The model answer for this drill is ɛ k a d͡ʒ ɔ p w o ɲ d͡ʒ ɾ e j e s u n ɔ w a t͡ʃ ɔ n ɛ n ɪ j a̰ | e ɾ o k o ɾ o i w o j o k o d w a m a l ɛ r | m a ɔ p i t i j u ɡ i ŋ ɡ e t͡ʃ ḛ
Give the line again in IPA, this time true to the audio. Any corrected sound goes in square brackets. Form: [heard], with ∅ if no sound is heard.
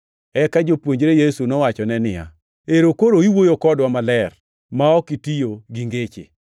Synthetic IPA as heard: ɛ k a d͡ʒ [o] p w o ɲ d͡ʒ ɾ e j e s u n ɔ w a t͡ʃ ɔ n ɛ n ɪ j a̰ | e ɾ o k o ɾ o i w o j o k [ɔ] d w a m a l ɛ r | m a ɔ [k] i t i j [o] ɡ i ŋ ɡ e t͡ʃ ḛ

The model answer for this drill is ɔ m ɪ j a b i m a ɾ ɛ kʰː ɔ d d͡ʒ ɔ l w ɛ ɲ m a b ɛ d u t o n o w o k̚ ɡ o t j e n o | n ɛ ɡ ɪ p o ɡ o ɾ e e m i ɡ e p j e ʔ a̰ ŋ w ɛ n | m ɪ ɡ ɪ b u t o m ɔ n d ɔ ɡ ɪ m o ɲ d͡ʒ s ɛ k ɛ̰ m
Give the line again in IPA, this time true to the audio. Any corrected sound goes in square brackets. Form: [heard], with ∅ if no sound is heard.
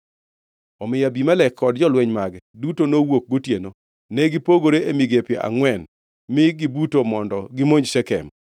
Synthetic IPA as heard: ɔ m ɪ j a b i m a [l] ɛ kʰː ɔ d d͡ʒ ɔ l w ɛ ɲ m a [ɡ] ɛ d u t o n o w o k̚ ɡ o t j e n o | n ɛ ɡ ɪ p o ɡ o ɾ e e m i ɡ e p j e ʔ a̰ ŋ w ɛ n | m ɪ ɡ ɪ b u t o m ɔ n d ɔ ɡ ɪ m o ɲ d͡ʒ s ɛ k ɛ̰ m

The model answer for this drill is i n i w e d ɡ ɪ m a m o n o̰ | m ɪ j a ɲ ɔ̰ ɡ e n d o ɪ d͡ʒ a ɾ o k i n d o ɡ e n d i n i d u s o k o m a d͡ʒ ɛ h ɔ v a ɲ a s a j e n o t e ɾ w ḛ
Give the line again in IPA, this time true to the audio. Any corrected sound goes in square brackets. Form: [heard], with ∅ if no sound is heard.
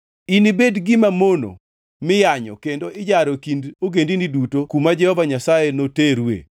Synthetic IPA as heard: i n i [b] e d ɡ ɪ m a m o n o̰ | m ɪ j a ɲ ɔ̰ [k] e n d o ɪ d͡ʒ a ɾ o k i n d o ɡ e n d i n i d u [t] o k [u] m a d͡ʒ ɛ h ɔ v a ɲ a s a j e n o t e ɾ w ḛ

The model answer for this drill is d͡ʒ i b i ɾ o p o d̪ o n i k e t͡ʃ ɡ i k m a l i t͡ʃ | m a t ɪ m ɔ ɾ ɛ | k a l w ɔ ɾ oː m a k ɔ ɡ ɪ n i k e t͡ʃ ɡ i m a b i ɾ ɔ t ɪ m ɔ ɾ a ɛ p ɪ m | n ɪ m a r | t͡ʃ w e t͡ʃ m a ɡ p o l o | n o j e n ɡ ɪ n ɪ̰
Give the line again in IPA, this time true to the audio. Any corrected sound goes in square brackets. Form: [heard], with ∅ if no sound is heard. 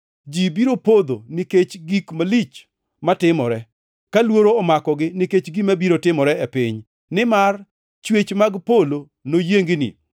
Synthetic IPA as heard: d͡ʒ i b i ɾ o p o d̪ o n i k e t͡ʃ ɡ i k m a l i t͡ʃ | m a t ɪ m ɔ ɾ ɛ | k a l w [o] ɾ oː m a k ɔ ɡ ɪ n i k e t͡ʃ ɡ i m a b i ɾ [o] t ɪ m ɔ ɾ [ɛ] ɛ p ɪ [ɲ] | n ɪ m a r | t͡ʃ w e t͡ʃ m a ɡ p o l o | n o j e [ŋ] ɡ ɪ n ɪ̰

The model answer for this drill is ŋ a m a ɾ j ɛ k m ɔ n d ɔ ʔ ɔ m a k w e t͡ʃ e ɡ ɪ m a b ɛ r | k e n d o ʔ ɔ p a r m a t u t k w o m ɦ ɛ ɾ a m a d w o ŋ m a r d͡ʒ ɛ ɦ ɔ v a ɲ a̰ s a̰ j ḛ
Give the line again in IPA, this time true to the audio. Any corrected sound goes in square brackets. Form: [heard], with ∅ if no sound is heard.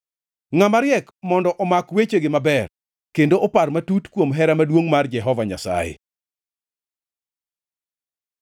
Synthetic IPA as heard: ŋ a m a ɾ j ɛ k m ɔ n d ɔ ʔ ɔ m a k w e t͡ʃ e ɡ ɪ m a b ɛ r | k e n d o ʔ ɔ p a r m a t u t k w o m ɦ ɛ ɾ a m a d w o ŋ m a r d͡ʒ ɛ ɦ ɔ v a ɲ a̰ s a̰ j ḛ

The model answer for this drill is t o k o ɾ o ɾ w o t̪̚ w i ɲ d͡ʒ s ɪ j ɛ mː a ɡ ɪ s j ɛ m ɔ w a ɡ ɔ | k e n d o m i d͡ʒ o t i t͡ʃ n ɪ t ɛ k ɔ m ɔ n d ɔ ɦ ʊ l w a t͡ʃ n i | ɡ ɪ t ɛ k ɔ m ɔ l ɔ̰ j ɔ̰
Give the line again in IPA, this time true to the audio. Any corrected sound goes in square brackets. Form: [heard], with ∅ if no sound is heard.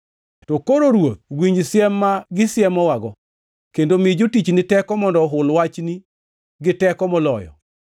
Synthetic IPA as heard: t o k o ɾ o ɾ w o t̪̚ w i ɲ d͡ʒ s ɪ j ɛ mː a ɡ ɪ s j ɛ m ɔ w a ɡ ɔ | k e n d o m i d͡ʒ o t i t͡ʃ n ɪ t ɛ k ɔ m ɔ n d ɔ ɦ ʊ l w a t͡ʃ n i | ɡ ɪ t ɛ k ɔ m ɔ l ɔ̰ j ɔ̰

